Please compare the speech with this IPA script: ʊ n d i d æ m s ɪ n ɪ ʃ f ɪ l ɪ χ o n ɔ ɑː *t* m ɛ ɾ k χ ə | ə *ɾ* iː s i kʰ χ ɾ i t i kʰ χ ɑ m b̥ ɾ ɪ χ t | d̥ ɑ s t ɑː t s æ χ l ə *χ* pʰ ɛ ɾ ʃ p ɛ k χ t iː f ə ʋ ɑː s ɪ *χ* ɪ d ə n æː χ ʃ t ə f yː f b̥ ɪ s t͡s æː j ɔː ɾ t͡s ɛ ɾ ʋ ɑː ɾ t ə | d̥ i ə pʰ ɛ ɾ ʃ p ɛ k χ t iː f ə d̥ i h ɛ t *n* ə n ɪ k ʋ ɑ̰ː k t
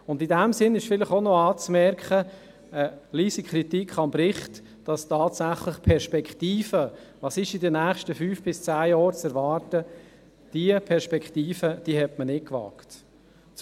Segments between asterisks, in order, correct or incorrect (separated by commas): incorrect, incorrect, correct, incorrect, incorrect